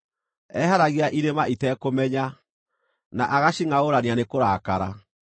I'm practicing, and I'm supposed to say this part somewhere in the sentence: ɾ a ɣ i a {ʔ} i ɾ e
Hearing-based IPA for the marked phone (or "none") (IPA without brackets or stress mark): ʔ